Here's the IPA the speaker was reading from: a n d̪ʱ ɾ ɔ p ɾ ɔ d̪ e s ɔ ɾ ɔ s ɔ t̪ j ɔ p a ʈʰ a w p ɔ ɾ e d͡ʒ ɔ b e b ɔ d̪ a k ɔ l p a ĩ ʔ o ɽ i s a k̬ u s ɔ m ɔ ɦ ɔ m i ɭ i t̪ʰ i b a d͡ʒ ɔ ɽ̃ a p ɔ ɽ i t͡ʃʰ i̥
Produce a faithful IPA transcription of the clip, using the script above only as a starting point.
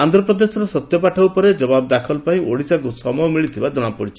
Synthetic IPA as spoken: a n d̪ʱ ɾ ɔ p ɾ ɔ d̪ e s ɔ ɾ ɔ s ɔ t̪ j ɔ p a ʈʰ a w p ɔ ɾ e d͡ʒ ɔ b a b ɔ d̪ a kʰ ɔ l p a ĩ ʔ o ɽ i s a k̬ u s ɔ m ɔ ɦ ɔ m i ɭ i t̪ʰ i b a d͡ʒ ɔ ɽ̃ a p ɔ ɽ i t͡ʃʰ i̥